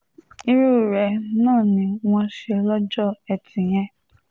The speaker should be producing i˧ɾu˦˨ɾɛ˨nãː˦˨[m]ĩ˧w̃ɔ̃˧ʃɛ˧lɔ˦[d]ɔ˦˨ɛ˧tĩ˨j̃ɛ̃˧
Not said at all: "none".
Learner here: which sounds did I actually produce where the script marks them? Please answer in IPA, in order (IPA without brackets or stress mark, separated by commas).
n, d͡ʒ